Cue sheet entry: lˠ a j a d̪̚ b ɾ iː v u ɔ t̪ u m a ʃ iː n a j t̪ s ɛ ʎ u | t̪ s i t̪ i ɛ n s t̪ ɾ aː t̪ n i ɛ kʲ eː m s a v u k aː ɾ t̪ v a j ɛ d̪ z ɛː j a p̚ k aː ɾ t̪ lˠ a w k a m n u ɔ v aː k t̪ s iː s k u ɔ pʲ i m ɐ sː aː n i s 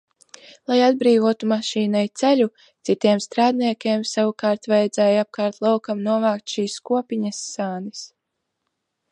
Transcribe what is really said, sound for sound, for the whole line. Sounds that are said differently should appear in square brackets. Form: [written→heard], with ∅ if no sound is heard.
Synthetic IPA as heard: lˠ a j a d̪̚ b ɾ iː v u ɔ t̪ u m a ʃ iː n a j t̪ s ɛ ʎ u | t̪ s i t̪ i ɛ [n→m] s t̪ ɾ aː [t̪→d̪] n i ɛ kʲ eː m s a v u k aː ɾ t̪ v a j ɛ d̪ z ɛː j a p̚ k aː ɾ t̪ lˠ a w k a m n u ɔ v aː k t̪ [s→ʃ] iː s k u ɔ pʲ i [m→ɲ] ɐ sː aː n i s